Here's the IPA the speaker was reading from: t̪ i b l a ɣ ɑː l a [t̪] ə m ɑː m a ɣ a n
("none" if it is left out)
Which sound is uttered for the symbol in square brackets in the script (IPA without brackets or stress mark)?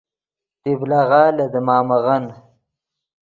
d̪